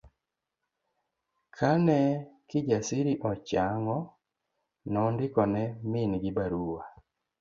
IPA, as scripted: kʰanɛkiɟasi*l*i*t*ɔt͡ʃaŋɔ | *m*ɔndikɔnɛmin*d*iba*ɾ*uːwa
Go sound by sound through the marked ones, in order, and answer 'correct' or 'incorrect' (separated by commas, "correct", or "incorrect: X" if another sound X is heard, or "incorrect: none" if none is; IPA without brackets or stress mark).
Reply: incorrect: ɾ, incorrect: ʔ, incorrect: n, incorrect: ɡ, correct